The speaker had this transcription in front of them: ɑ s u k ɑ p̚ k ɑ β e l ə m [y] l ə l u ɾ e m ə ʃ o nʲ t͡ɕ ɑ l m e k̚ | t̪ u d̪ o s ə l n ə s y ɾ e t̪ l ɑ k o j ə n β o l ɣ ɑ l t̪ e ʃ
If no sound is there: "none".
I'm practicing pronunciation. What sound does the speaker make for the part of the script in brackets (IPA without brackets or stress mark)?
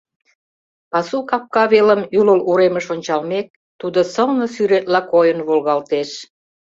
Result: y